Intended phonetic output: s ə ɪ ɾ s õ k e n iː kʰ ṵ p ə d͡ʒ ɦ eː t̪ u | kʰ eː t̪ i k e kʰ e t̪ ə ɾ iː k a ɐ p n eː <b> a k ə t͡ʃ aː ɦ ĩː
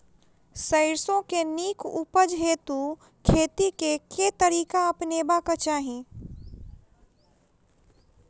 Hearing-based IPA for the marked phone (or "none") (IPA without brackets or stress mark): b